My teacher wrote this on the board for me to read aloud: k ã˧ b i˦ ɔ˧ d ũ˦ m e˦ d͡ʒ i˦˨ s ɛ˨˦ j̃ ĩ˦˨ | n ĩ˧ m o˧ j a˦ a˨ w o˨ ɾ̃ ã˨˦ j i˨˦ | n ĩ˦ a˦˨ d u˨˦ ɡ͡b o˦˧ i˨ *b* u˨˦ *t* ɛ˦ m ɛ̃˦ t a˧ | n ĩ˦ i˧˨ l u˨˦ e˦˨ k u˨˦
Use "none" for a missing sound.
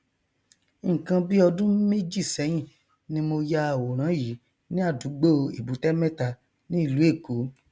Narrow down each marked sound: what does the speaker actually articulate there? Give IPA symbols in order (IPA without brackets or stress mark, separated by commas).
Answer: b, t